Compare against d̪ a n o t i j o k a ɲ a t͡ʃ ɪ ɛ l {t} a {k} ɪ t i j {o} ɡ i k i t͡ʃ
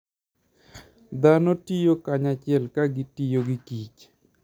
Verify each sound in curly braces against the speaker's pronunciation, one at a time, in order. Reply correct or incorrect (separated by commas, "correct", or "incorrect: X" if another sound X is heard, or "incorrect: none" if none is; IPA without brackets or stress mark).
incorrect: k, incorrect: ɡ, correct